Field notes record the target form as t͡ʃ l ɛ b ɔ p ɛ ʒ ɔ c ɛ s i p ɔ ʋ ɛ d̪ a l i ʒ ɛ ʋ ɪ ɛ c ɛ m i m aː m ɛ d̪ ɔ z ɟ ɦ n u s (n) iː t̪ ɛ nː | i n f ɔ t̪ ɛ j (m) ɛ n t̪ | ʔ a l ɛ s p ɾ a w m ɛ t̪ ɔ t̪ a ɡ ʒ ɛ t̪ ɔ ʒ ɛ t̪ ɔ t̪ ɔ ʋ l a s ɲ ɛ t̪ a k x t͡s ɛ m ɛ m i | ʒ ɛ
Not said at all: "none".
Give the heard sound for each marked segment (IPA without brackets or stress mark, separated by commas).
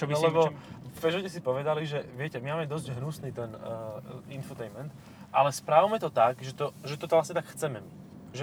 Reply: n, m